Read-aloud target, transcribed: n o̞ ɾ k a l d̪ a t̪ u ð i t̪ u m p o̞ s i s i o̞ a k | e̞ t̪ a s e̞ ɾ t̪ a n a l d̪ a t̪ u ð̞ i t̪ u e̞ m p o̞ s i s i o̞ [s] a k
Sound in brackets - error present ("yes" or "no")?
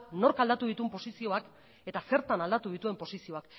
yes